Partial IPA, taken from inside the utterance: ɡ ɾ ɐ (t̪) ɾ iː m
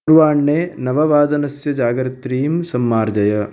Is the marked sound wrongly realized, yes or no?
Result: no